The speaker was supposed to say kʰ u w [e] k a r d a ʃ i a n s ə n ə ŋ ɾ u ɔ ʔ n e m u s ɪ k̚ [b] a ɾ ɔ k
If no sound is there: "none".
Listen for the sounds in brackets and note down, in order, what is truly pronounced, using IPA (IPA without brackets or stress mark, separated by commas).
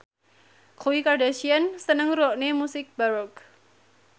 i, b